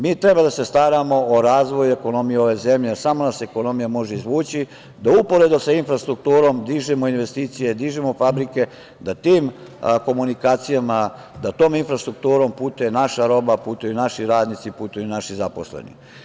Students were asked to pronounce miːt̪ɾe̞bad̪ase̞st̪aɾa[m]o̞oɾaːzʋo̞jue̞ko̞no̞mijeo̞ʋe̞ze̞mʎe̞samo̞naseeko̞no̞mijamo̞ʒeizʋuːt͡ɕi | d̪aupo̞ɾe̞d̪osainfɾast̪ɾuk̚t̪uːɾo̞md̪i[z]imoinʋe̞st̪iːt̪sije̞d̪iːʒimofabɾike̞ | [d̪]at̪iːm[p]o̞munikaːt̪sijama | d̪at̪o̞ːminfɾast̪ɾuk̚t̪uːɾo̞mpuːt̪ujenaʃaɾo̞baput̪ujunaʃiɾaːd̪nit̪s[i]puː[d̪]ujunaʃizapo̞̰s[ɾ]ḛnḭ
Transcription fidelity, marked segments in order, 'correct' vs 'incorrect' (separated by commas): correct, incorrect, correct, incorrect, correct, incorrect, incorrect